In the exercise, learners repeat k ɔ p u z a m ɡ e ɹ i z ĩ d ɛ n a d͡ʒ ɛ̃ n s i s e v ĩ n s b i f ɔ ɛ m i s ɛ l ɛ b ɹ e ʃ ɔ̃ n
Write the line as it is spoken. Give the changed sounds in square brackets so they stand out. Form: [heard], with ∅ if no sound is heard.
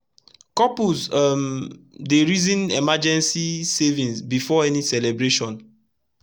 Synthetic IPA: k ɔ p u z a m [d] e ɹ i z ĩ [n] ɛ [m] a d͡ʒ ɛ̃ n s i s e v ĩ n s b i f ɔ ɛ [n] i s ɛ l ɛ b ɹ e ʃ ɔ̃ n

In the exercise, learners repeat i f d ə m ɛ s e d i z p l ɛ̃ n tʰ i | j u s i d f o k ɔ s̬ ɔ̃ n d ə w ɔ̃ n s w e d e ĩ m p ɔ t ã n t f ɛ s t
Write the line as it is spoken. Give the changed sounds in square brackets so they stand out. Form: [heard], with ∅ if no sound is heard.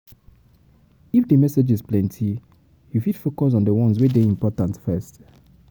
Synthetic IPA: i f d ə m ɛ s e [d͡ʒ] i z p l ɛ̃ n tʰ i | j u [f] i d f o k ɔ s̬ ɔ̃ n d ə w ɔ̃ n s w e d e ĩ m p ɔ t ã n t f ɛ s t

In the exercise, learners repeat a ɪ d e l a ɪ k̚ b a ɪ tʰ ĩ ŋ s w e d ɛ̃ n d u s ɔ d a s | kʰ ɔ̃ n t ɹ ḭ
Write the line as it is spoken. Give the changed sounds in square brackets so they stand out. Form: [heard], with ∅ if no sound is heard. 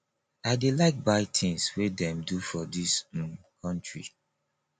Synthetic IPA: a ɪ d e l a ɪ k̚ b a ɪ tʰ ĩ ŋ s w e d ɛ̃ [m] d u [f] ɔ d [i] s | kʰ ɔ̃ n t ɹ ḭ

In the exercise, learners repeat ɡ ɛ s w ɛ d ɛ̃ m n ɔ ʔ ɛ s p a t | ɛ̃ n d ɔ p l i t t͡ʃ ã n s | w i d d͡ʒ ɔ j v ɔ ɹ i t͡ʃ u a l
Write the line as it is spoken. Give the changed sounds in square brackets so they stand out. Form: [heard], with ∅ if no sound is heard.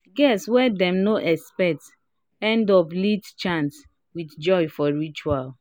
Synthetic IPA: ɡ ɛ s w ɛ d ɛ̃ m n [o] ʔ ɛ s p [ɛ] t | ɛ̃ n d ɔ p l i t t͡ʃ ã n s | w i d d͡ʒ ɔ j [f] ɔ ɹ i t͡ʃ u a l

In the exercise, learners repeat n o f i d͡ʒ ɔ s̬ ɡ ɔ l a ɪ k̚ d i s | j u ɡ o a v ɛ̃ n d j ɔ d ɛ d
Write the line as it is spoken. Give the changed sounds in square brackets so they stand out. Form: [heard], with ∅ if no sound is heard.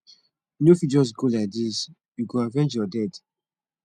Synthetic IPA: n o f i d͡ʒ ɔ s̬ ɡ [o] l a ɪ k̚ d i s | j u ɡ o a v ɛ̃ n [d͡ʒ] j ɔ d ɛ d

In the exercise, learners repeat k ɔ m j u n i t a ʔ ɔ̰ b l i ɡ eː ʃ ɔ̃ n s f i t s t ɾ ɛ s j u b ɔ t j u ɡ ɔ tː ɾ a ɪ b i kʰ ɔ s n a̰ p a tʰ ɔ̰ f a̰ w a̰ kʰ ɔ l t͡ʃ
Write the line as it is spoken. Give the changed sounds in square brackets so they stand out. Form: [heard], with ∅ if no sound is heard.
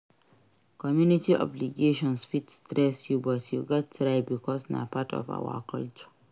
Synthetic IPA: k ɔ m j u n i t [i] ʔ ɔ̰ b l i ɡ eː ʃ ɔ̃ n s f i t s t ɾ ɛ s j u b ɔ t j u ɡ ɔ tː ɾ a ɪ b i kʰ ɔ s n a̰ p a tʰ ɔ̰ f a̰ w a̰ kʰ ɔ l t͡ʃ

